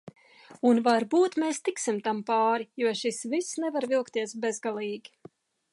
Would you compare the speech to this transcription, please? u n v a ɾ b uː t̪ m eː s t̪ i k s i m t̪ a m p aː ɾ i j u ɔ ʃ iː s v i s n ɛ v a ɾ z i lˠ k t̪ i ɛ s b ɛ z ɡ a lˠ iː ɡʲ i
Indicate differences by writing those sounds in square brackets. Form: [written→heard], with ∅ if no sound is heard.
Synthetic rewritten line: u n v a ɾ b uː t̪ m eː s t̪ i k s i m t̪ a m p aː ɾ i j u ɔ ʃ [iː→i] s v i s n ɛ v a ɾ [z→v] i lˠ k t̪ i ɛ s b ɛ z ɡ a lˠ iː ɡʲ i